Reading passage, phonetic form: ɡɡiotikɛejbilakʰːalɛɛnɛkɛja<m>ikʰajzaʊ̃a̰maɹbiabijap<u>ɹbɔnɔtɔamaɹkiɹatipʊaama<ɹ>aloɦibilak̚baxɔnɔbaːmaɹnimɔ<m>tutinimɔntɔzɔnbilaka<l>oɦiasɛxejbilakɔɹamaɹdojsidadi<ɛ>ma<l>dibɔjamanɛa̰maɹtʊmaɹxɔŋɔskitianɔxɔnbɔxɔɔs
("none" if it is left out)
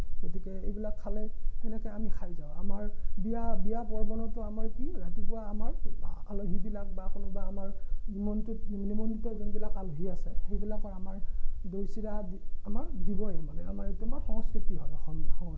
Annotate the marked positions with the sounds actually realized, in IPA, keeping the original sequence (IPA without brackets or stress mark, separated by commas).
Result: m, ɔ, ɹ, n, l, a, ɹ